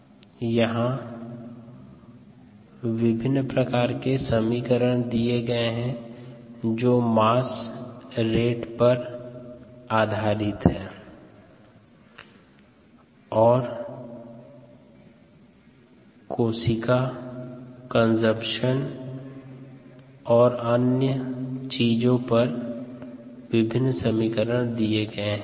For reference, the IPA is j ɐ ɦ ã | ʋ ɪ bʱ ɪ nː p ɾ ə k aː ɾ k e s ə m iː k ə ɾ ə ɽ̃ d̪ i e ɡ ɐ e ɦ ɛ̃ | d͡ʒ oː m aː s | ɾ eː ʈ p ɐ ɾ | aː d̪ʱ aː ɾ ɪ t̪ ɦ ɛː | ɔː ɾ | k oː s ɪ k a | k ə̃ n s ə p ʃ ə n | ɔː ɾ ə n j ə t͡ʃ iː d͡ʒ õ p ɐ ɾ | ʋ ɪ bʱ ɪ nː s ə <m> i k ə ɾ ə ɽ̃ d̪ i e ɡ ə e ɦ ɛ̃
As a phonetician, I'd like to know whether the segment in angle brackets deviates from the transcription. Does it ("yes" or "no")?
no